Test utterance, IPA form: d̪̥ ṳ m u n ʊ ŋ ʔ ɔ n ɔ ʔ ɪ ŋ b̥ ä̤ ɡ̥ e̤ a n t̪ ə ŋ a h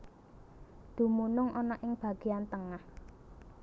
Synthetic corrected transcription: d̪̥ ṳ m u n ʊ ŋ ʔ ɔ n ɔ ʔ ɪ ŋ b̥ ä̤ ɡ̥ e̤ a n t̪ ə ŋ a h